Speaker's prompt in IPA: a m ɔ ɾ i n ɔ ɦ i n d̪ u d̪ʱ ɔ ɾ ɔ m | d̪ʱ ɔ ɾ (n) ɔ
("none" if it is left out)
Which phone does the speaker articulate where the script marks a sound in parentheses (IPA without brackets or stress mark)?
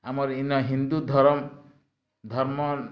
m